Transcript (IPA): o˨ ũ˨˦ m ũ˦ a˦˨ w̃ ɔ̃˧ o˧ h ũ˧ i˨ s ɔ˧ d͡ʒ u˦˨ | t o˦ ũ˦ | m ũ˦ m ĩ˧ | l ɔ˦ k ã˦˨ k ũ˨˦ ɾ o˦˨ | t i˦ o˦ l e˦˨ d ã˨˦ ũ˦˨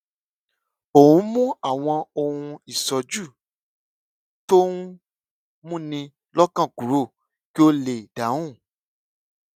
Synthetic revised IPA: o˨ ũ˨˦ m ũ˦ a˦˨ w̃ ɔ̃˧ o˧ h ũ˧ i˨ s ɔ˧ d͡ʒ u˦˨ | t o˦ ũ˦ | m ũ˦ n ĩ˧ | l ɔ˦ k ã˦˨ k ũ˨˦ ɾ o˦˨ | k i˦ o˦ l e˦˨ d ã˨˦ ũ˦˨